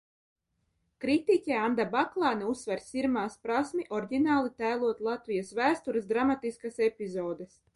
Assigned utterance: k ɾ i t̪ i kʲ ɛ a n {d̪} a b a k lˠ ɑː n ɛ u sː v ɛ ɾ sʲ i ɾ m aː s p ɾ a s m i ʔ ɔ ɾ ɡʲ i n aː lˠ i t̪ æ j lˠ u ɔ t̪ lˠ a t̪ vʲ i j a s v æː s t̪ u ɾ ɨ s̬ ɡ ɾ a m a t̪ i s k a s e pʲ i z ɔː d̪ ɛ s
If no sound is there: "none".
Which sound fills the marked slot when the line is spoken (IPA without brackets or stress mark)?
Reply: d̪